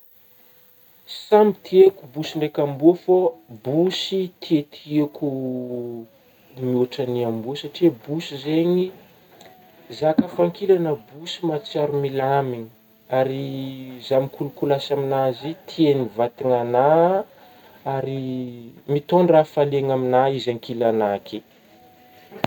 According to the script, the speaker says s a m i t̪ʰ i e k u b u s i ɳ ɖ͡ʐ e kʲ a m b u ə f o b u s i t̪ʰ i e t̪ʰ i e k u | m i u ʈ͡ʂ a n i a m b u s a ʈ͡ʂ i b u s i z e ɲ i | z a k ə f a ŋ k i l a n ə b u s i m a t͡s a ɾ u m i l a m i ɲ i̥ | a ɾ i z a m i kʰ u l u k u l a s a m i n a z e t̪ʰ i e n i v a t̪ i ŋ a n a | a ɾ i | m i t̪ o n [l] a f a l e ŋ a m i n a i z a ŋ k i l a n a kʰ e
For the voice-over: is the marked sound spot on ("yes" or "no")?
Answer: no